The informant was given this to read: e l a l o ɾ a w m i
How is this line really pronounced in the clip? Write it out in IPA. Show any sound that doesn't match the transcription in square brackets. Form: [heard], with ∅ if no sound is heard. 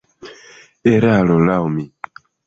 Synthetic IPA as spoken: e [ɾ] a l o [l] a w m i